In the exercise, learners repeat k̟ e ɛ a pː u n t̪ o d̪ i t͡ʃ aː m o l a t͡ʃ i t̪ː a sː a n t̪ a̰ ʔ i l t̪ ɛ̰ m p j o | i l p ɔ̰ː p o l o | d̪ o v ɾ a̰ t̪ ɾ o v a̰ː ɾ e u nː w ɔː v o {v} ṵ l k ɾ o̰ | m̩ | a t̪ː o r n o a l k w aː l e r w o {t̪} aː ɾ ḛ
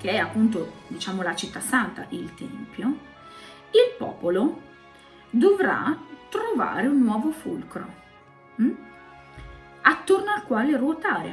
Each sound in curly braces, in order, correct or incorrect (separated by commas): incorrect, correct